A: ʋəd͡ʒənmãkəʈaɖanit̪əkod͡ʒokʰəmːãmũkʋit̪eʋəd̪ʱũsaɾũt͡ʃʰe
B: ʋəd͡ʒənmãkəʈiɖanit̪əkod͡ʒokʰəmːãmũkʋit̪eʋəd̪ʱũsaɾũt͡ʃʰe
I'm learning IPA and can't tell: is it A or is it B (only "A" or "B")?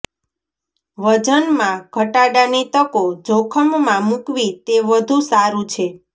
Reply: A